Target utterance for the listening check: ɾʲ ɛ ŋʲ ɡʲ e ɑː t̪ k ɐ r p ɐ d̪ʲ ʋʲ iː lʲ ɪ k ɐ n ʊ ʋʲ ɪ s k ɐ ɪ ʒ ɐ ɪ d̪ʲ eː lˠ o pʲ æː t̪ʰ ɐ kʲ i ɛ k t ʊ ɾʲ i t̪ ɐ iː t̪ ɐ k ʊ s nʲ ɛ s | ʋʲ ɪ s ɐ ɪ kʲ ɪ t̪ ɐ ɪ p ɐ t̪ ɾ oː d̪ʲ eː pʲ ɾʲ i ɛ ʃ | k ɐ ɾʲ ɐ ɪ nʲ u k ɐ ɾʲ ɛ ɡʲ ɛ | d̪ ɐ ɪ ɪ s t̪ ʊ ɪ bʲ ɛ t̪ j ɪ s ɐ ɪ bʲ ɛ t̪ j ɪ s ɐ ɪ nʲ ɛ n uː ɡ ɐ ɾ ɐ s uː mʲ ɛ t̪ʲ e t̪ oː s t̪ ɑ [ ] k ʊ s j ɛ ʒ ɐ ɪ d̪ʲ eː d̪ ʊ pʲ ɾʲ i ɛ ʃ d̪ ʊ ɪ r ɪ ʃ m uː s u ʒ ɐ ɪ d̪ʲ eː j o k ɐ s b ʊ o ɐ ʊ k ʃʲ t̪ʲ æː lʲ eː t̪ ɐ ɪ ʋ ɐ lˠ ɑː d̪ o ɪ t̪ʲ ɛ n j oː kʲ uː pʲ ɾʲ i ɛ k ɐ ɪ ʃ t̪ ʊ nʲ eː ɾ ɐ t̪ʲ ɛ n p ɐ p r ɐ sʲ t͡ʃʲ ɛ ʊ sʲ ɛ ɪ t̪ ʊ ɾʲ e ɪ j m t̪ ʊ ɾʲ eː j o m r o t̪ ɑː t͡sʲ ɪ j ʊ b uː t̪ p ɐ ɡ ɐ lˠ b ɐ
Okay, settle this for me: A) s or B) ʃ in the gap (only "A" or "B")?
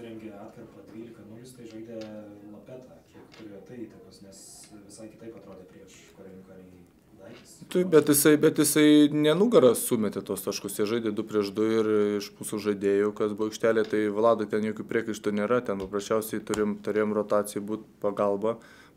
B